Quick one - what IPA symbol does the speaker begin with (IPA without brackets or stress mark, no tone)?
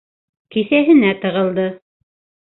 k